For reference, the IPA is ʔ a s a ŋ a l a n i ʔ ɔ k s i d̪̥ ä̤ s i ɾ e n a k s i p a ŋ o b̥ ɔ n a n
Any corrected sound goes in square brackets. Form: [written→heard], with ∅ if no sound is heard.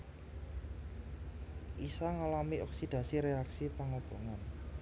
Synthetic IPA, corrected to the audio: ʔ [a→i] s a ŋ a l a [n→m] i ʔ ɔ k s i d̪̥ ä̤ s i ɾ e [n→∅] a k s i p a ŋ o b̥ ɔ [n→ŋ] a n